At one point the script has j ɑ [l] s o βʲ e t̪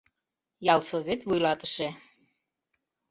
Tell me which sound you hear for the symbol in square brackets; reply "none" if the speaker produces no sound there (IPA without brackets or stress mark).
l